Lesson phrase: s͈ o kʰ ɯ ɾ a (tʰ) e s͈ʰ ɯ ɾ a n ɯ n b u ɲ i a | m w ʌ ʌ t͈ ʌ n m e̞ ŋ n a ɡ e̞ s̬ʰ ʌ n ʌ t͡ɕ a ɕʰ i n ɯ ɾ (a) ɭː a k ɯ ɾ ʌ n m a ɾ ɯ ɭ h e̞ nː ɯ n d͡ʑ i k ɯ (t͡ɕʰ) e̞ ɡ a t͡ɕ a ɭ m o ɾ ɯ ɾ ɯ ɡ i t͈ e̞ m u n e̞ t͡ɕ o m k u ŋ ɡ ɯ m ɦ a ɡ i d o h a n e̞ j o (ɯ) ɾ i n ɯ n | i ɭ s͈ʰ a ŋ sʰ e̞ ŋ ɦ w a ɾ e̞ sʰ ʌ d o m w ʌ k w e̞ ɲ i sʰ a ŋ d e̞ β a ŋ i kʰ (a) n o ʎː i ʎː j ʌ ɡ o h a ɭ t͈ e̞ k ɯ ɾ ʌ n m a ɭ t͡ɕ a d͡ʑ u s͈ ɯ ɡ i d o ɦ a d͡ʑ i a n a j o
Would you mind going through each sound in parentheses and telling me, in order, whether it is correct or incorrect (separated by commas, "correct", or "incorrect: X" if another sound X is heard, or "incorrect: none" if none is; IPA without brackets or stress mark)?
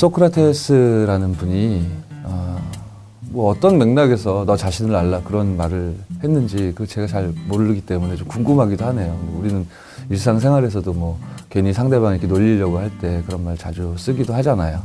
correct, correct, incorrect: t͡ɕ, incorrect: u, incorrect: e